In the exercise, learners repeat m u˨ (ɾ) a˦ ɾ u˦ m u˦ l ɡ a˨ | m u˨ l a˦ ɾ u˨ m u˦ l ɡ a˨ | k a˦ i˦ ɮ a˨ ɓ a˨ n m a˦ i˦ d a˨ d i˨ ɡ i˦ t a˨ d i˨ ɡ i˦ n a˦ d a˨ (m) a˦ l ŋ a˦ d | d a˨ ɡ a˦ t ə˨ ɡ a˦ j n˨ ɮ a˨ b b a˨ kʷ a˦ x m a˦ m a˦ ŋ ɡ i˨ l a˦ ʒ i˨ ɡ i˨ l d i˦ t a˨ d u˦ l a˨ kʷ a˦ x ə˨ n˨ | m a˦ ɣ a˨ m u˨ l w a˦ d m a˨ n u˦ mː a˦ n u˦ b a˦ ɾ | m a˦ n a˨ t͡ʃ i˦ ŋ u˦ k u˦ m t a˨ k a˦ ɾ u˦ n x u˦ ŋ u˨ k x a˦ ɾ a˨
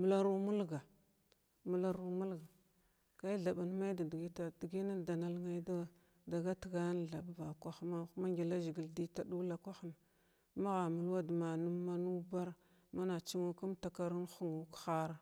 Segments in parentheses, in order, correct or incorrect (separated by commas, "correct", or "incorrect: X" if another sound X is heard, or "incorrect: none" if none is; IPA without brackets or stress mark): incorrect: l, incorrect: n